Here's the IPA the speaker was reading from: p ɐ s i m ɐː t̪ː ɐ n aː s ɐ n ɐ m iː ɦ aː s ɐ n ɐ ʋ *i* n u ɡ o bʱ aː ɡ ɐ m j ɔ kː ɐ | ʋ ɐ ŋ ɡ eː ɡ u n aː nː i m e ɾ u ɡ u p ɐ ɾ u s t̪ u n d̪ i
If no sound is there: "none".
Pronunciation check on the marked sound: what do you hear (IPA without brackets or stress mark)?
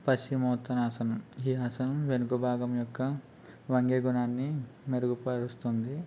e